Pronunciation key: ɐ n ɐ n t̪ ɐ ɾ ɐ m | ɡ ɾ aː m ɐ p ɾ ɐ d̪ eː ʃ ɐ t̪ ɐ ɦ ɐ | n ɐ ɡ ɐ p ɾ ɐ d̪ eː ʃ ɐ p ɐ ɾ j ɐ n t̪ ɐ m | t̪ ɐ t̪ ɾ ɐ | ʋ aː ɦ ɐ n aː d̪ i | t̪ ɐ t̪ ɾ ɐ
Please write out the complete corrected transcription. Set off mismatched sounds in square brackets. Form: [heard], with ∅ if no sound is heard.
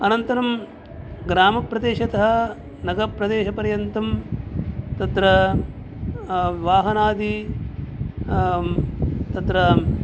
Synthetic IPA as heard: ɐ n ɐ n t̪ ɐ ɾ ɐ m | ɡ ɾ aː m ɐ p ɾ ɐ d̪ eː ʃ ɐ t̪ ɐ ɦ ɐ | n ɐ ɡ ɐ p ɾ ɐ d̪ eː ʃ ɐ p ɐ ɾ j ɐ n t̪ ɐ m | t̪ ɐ t̪ ɾ ɐ | ʋ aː ɦ ɐ n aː d̪ i | t̪ ɐ t̪ ɾ ɐ